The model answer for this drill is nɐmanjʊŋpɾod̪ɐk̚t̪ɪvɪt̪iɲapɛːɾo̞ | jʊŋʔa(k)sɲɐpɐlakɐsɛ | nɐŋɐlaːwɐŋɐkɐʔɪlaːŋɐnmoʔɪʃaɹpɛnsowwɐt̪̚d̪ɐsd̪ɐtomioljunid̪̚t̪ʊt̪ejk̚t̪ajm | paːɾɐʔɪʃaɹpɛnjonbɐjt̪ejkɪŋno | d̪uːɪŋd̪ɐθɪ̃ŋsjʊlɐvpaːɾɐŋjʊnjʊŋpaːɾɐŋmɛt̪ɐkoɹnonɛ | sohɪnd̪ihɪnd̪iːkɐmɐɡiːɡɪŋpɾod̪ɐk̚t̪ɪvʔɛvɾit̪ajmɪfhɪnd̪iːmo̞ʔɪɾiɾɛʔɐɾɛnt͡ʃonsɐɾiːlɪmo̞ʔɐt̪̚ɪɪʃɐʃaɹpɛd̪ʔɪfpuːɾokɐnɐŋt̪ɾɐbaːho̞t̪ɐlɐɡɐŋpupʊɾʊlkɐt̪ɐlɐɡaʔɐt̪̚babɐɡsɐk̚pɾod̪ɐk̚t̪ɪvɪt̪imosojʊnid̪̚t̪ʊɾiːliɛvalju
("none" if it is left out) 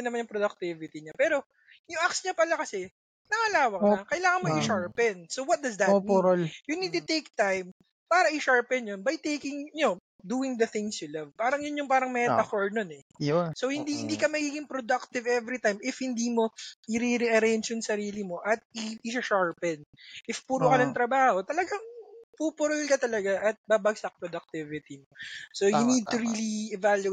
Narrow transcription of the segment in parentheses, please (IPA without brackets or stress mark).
k